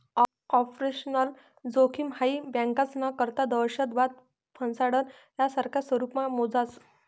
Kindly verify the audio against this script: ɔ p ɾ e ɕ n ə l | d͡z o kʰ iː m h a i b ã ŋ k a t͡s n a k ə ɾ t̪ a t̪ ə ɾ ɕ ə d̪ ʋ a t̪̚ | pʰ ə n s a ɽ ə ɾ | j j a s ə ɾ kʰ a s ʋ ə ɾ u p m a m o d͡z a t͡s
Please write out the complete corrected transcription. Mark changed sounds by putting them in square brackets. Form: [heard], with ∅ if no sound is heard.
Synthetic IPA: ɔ p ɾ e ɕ n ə l | d͡z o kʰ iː m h a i b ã ŋ k a t͡s n a k ə ɾ t̪ a [d̪] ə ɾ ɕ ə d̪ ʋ a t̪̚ | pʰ ə n s a ɽ ə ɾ | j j a s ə ɾ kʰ a s ʋ ə ɾ u p m a m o d͡z a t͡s

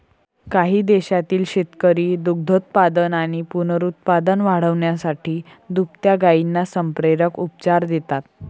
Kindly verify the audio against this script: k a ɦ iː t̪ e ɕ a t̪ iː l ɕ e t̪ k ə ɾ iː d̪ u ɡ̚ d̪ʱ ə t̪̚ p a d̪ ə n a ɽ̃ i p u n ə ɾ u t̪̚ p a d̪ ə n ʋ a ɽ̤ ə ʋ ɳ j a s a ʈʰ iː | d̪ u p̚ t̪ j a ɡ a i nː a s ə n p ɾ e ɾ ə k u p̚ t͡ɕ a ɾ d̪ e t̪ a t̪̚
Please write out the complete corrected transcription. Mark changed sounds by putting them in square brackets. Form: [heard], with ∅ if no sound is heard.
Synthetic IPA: k a ɦ iː [d̪] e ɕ a t̪ iː l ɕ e t̪ k ə ɾ iː d̪ u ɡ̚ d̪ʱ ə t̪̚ p a d̪ ə n a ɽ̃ i p u n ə ɾ u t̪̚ p a d̪ ə n ʋ a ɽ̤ ə ʋ ɳ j a s a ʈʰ iː | d̪ u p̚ t̪ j a ɡ a i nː a s ə [m] p ɾ e ɾ ə k u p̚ t͡ɕ a ɾ d̪ e t̪ a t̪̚

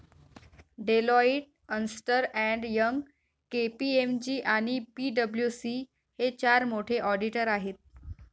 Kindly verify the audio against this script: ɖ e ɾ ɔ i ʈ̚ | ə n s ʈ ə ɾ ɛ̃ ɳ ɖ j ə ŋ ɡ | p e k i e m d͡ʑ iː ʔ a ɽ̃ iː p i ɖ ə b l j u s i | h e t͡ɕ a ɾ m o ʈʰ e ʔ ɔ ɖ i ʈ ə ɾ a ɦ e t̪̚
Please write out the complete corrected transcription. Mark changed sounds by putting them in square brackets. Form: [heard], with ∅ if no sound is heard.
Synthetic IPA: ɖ e [l] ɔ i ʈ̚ | ə n s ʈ ə ɾ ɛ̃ ɳ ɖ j ə ŋ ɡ | [k] e [p] i e m d͡ʑ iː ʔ a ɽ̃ [i] p i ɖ ə b l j u s i | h e t͡ɕ a ɾ m o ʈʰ e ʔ ɔ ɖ i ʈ ə ɾ a ɦ e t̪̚

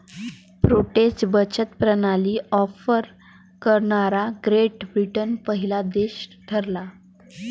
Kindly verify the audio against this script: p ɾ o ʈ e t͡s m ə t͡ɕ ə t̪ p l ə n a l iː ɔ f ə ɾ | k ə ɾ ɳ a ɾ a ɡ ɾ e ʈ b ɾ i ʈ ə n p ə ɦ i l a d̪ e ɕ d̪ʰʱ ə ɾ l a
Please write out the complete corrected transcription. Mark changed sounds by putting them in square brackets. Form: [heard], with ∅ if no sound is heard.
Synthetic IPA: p ɾ o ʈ e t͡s [b] ə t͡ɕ ə t̪ p [ɾ] ə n a l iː ɔ f ə ɾ | k ə ɾ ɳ a ɾ a ɡ ɾ e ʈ b ɾ i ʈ ə n p ə ɦ i l a d̪ e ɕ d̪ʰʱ ə ɾ l a

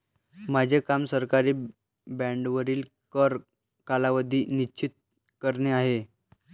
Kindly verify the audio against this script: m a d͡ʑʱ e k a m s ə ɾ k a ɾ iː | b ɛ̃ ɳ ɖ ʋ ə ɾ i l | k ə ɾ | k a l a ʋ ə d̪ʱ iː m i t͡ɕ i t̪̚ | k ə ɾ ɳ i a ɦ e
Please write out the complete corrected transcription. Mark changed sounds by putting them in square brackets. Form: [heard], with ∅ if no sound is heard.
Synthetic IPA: m a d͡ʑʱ e k a m s ə ɾ k a ɾ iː | b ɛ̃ ɳ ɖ ʋ ə ɾ [iː] l | k ə ɾ | k a l a ʋ ə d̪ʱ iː [n] i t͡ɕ i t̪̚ | k ə ɾ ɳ [e] a ɦ e

